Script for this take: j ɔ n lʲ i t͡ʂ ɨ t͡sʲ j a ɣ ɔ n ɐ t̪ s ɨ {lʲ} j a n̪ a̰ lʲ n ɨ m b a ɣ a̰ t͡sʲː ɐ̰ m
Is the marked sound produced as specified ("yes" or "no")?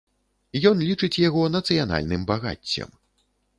no